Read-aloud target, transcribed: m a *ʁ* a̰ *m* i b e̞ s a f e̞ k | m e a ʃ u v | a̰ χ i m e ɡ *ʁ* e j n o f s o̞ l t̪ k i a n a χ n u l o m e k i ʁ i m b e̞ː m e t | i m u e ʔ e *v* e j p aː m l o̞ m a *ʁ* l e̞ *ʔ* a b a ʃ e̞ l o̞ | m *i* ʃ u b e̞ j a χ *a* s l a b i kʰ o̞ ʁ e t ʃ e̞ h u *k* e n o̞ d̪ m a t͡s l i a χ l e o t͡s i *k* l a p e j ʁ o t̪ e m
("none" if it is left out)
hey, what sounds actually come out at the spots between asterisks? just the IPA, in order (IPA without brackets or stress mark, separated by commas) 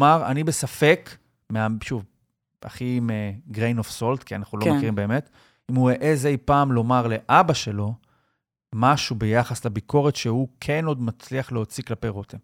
ʁ, n, ʁ, z, ʁ, ʔ, a, a, kʰ, k